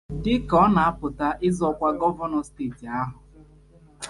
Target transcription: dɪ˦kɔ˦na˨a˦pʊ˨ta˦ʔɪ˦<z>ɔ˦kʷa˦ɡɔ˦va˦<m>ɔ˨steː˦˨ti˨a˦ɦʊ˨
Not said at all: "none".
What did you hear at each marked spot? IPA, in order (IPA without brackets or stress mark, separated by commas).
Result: z, n